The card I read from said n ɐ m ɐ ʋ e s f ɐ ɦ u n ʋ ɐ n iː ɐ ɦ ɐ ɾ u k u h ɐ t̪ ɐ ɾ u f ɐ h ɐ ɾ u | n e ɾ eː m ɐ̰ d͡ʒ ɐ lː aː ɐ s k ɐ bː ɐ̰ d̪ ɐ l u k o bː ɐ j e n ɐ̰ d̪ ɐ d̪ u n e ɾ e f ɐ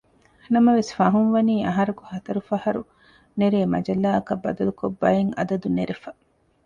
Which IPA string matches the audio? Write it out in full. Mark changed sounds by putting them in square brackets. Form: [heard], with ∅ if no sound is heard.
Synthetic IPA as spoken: n ɐ m ɐ ʋ e s f ɐ ɦ u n ʋ ɐ n iː ɐ ɦ ɐ ɾ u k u h ɐ t̪ ɐ ɾ u f ɐ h ɐ ɾ u | n e ɾ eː m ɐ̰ d͡ʒ ɐ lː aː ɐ [∅] k ɐ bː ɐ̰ d̪ ɐ l u k o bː ɐ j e [ŋ] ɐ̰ d̪ ɐ d̪ u n e ɾ e f ɐ